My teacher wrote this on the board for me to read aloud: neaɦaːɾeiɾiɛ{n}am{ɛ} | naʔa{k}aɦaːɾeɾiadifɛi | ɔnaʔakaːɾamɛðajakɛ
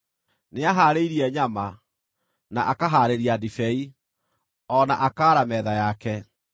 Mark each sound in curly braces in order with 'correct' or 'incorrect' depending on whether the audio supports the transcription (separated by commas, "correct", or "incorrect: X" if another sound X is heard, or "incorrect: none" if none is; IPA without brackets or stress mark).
incorrect: ɲ, incorrect: a, correct